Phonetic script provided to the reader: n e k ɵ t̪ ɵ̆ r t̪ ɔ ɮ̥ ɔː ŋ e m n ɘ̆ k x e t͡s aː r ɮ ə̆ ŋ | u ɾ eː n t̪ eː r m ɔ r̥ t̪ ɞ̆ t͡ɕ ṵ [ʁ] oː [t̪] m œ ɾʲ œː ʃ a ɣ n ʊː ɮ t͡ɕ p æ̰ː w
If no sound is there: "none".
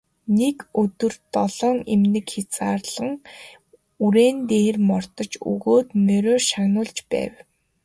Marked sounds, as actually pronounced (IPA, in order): ɣ, t̪

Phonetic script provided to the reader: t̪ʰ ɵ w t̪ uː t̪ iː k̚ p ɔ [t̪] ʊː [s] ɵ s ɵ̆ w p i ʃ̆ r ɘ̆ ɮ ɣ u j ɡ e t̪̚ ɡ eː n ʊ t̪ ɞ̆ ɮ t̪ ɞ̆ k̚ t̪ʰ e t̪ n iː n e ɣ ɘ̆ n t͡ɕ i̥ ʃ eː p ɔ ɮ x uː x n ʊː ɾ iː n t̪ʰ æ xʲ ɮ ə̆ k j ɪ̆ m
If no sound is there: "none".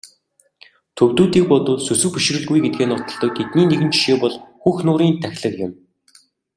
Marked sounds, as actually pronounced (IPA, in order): t̪, s

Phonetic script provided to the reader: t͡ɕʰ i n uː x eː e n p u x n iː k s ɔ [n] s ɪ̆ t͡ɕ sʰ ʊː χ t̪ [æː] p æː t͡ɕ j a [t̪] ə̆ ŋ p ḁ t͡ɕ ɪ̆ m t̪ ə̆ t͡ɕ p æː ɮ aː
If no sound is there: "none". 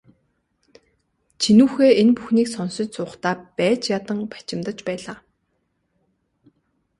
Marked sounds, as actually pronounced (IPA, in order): n, aː, t̪

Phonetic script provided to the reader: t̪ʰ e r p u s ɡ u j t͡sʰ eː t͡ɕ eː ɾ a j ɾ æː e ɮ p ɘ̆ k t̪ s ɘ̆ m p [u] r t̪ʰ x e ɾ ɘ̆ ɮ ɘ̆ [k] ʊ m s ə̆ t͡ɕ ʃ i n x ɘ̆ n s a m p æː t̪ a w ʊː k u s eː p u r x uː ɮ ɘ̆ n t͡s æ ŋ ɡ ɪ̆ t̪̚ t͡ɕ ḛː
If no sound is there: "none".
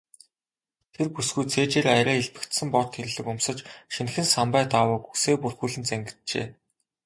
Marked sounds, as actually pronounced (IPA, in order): ɔ, k

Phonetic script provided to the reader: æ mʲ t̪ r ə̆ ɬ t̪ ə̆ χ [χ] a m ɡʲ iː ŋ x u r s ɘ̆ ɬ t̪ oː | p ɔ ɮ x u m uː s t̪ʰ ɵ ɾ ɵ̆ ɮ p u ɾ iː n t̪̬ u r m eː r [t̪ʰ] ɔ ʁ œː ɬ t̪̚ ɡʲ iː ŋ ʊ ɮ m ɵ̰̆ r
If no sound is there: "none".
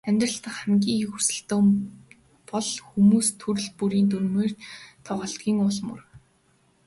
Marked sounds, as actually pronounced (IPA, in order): χ, t̪ʰ

